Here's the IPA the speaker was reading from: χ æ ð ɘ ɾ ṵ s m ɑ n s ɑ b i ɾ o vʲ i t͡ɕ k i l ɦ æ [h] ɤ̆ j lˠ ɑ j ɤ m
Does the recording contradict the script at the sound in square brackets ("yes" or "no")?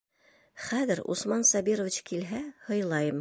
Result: no